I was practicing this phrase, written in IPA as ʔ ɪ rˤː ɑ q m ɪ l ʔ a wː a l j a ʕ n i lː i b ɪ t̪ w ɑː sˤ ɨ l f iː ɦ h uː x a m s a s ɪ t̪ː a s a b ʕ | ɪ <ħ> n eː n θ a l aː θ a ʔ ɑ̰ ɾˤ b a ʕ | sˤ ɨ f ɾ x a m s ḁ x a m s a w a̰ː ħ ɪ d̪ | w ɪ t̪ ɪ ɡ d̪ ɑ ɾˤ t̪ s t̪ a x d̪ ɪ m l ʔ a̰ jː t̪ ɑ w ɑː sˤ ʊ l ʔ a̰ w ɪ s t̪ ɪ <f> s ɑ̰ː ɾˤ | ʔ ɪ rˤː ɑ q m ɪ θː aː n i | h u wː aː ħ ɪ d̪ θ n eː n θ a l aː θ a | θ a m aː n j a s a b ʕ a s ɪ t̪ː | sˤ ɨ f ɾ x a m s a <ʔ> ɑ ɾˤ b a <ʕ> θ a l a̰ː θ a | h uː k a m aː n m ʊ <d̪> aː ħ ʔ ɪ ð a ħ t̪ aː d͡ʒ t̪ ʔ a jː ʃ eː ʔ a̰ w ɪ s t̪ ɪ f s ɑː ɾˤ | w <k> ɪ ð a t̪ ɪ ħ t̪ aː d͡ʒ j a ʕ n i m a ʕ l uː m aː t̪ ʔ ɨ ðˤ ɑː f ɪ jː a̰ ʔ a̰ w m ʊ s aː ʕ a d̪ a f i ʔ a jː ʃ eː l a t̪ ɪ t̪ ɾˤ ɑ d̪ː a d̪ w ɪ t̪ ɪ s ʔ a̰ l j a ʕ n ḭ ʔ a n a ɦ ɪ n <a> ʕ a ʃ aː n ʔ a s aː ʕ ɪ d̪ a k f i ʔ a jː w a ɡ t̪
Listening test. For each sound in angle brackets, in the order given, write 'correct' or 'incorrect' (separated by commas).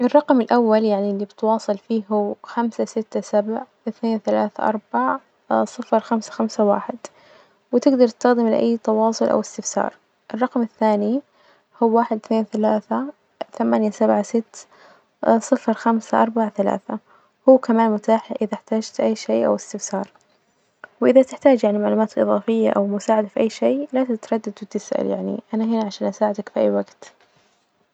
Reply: incorrect, correct, correct, correct, incorrect, incorrect, correct